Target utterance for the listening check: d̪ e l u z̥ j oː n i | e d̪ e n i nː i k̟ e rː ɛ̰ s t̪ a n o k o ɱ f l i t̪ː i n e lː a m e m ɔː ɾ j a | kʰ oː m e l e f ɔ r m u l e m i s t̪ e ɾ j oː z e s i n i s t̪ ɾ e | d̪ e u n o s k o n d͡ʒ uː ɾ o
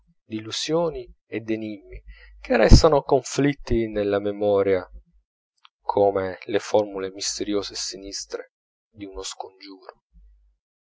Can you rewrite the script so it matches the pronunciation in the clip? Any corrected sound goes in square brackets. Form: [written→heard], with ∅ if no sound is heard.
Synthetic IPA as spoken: d̪ [e→i] l u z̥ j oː n i | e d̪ e n i [nː→mː] i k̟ e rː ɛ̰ s t̪ a n o k o ɱ f l i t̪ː i n e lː a m e m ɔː ɾ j a | kʰ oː m e l e f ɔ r m u l e m i s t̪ e ɾ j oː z e s i n i s t̪ ɾ e | d̪ [e→i] u n o s k o n d͡ʒ uː ɾ o